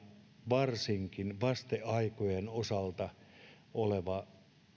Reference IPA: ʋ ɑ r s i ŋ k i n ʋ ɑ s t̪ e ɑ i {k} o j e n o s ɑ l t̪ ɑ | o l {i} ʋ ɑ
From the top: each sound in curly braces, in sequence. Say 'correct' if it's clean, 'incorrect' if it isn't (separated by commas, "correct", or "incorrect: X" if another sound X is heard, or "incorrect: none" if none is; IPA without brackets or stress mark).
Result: correct, incorrect: e